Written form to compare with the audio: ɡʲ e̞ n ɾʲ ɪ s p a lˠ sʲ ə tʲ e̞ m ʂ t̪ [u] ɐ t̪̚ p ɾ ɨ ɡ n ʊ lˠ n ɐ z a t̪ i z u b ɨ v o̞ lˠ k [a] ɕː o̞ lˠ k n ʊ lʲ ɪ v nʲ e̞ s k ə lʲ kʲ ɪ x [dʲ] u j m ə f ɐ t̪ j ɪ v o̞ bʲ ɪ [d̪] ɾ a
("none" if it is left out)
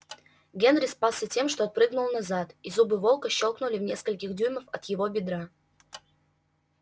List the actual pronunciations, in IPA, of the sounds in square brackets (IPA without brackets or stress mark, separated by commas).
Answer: o, ə, dʲ, d̪